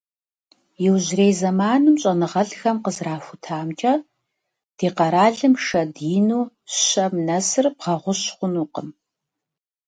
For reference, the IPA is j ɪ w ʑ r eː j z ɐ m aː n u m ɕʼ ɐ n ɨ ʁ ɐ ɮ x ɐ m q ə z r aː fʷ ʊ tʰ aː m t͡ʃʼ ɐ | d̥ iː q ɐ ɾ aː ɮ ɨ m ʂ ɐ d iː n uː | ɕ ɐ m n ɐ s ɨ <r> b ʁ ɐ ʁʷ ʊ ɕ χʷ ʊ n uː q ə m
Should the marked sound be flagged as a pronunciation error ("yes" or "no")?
no